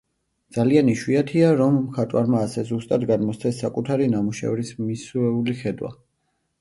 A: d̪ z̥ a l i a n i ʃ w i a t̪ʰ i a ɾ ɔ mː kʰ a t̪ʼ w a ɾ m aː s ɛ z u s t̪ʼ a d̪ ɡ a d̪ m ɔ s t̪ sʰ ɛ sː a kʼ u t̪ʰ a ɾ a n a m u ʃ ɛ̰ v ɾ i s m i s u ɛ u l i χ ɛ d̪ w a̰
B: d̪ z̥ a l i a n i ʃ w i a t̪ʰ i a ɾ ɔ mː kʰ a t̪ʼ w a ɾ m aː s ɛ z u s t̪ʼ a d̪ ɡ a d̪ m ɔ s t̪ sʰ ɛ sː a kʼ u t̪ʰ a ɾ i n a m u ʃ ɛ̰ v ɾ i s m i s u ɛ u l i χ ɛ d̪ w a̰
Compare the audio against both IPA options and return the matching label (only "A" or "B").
B